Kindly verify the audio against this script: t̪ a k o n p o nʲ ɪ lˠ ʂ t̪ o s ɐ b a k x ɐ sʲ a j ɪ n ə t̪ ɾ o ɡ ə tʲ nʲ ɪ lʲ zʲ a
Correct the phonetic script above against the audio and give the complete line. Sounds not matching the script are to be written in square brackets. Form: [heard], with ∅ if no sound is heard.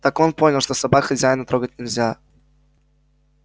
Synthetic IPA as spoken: t̪ a k o n p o nʲ ɪ lˠ ʂ t̪ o s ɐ b a k x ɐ [zʲ] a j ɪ n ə t̪ ɾ o ɡ ə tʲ nʲ ɪ lʲ zʲ a